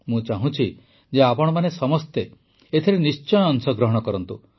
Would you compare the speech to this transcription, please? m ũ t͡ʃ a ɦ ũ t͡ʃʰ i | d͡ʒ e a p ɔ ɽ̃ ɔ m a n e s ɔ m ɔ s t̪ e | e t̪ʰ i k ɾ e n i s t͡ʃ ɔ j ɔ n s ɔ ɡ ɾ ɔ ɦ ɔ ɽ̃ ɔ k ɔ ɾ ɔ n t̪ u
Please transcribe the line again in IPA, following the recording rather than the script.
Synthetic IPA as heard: m ũ t͡ʃ a ɦ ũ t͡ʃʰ i | d͡ʒ e a p ɔ ɽ̃ ɔ m a n e s ɔ m ɔ s t̪ e | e t̪ʰ i ɾ e n i s t͡ʃ ɔ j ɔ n s ɔ ɡ ɾ ɔ ɦ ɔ ɽ̃ ɔ k ɔ ɾ ɔ n t̪ u